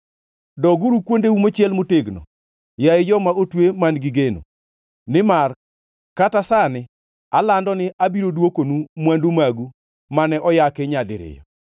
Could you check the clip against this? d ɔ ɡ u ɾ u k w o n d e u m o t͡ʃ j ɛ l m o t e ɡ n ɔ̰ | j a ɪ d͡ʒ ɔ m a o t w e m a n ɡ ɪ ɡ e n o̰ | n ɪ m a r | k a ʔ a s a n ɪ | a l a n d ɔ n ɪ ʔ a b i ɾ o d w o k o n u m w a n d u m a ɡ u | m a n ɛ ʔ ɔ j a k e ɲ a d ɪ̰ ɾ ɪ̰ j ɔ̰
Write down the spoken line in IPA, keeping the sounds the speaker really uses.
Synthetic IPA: d ɔ ɡ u ɾ u k w o n d e u m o t͡ʃ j ɛ l m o t e ɡ n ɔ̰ | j a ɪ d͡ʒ ɔ m a o t w e m a n ɡ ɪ ɡ e n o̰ | n ɪ m a r | k a t a s a n ɪ | a l a n d ɔ n ɪ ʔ a b i ɾ o d w o k o n u m w a n d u m a ɡ u | m a n ɛ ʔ ɔ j a k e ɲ a d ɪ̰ ɾ ɪ̰ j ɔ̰